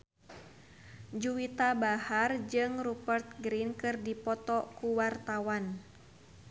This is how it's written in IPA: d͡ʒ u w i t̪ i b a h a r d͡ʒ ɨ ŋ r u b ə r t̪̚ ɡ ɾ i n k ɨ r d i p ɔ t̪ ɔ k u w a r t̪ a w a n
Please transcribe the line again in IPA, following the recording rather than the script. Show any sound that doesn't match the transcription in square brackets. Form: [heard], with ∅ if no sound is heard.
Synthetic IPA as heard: d͡ʒ u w i t̪ [a] b a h a r d͡ʒ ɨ ŋ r u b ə r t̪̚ ɡ ɾ i n k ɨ r d i p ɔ t̪ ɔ k u w a r t̪ a w a n